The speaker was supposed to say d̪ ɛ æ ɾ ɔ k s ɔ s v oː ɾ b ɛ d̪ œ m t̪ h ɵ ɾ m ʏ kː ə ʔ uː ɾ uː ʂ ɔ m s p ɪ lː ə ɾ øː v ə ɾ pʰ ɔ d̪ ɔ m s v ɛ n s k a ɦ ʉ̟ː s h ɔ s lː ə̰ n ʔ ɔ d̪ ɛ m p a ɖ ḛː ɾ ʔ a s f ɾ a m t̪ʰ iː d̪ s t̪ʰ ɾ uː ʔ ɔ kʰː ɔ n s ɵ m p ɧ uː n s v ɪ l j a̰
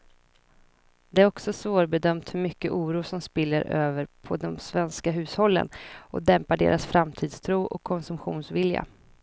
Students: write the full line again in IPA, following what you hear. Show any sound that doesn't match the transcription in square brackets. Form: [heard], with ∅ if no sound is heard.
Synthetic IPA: d̪ ɛ æ ɾ ɔ k s ɔ s v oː ɾ b ɛ d̪ œ m t̪ h ɵ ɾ m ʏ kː ə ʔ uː ɾ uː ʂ ɔ m s p ɪ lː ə ɾ øː v ə ɾ pʰ ɔ d̪ ɔ m s v ɛ n s k a ɦ ʉ̟ː s h ɔ [∅] lː ə̰ n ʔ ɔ d̪ ɛ m p a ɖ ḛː ɾ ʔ a s f ɾ a m t̪ʰ iː d̪ s t̪ʰ ɾ uː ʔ ɔ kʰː ɔ n s ɵ m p ɧ uː n s v ɪ l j a̰